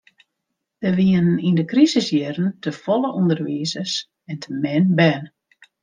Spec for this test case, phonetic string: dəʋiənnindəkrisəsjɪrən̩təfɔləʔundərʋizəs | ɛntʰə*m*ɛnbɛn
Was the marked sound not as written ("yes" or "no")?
no